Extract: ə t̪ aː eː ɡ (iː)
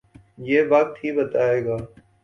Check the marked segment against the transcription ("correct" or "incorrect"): incorrect